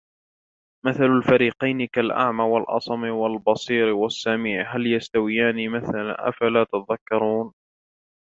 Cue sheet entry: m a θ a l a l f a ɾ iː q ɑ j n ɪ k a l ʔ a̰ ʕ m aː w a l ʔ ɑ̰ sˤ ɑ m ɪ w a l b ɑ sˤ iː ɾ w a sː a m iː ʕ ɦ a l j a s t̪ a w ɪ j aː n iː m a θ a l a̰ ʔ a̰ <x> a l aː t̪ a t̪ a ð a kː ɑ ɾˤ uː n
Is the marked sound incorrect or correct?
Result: incorrect